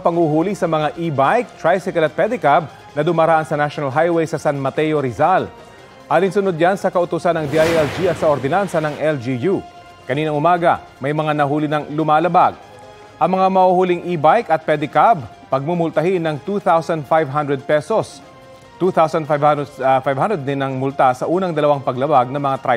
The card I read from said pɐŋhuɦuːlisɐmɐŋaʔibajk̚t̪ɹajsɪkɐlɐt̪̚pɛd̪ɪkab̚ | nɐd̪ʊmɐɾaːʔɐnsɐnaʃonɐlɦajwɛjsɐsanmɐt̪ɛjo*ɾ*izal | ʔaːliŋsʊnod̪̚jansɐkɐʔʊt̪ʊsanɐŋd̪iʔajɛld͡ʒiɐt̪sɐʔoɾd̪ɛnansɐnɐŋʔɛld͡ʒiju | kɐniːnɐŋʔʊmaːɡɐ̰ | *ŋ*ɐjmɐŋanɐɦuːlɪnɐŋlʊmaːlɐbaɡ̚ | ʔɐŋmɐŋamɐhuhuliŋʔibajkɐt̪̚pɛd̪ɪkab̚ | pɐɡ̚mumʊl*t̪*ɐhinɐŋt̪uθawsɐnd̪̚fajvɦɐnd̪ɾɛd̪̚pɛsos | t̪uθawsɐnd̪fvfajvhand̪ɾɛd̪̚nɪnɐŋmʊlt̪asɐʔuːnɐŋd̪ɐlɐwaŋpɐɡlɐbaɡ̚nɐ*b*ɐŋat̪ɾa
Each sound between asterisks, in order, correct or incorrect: correct, incorrect, correct, incorrect

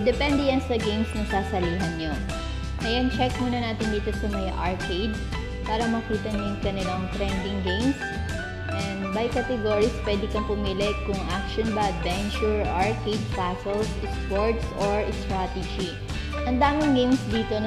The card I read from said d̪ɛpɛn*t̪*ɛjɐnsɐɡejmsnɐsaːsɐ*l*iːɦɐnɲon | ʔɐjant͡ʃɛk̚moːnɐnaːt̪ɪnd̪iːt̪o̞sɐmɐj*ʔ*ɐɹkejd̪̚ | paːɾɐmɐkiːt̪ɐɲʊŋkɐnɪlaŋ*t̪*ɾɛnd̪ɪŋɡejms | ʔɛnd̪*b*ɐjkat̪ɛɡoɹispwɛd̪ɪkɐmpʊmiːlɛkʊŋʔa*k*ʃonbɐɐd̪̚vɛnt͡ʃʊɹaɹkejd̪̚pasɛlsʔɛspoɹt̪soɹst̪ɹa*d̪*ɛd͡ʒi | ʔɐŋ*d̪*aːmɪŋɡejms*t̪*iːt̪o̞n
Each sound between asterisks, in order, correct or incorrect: incorrect, correct, correct, correct, correct, correct, incorrect, correct, incorrect

